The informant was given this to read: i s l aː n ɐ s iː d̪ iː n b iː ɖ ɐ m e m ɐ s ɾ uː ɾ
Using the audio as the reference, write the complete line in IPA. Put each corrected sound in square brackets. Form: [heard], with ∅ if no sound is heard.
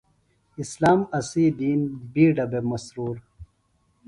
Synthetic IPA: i s l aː [m] ɐ s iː d̪ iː n b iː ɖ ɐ [b] e m ɐ s ɾ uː ɾ

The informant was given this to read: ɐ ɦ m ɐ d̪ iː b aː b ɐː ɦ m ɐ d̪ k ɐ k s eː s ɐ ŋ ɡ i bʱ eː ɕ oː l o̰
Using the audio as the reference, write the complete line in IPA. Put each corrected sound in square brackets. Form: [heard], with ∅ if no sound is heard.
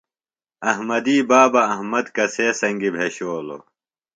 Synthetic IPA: ɐ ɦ m ɐ d̪ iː b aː b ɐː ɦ m ɐ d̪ k ɐ [∅] s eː s ɐ ŋ ɡ i bʱ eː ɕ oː l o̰

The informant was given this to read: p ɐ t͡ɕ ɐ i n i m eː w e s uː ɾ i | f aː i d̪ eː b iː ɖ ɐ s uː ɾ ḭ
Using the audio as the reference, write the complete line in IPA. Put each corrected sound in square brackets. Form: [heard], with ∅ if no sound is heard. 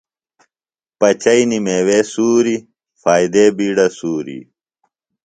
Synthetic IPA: p ɐ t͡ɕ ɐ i n i m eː w e s uː ɾ i | f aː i d̪ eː b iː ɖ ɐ s uː ɾ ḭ

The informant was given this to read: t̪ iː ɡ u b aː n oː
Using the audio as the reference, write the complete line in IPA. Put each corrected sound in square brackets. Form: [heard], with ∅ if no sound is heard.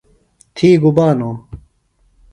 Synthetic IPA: [t̪ʰ] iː ɡ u b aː n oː

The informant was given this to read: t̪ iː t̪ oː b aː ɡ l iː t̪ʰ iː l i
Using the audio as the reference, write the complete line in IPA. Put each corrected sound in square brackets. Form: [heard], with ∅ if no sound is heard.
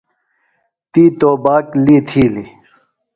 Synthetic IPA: t̪ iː t̪ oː b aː [k] l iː t̪ʰ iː l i

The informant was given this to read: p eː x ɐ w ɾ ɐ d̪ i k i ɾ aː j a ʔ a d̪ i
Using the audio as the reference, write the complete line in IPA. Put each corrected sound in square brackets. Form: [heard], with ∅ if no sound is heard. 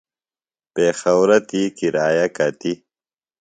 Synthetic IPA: p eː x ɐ w ɾ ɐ [t̪] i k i ɾ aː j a [k] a [t̪] i

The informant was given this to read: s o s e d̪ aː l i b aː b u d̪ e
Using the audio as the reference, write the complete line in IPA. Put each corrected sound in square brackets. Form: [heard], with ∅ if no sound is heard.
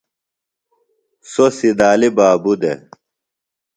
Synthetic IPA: s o s [i] d̪ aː l i b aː b u d̪ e

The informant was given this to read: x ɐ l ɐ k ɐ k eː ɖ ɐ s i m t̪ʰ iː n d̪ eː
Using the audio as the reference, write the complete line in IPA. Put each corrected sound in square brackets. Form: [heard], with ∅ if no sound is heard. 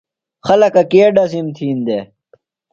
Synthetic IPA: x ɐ l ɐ k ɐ k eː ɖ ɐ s i m t̪ʰ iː n d̪ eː

